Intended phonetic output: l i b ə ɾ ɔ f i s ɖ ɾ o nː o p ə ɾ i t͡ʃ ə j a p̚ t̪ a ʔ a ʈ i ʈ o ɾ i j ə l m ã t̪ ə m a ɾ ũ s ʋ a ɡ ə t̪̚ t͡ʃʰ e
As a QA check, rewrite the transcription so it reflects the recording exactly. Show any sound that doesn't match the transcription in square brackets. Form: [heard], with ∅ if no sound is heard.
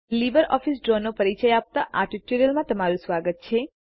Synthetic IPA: l i b ə ɾ ɔ f i s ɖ ɾ o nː o p ə ɾ i t͡ʃ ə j a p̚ t̪ a ʔ a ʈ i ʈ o ɾ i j ə l m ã t̪ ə m a ɾ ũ s ʋ a ɡ ə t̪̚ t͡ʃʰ e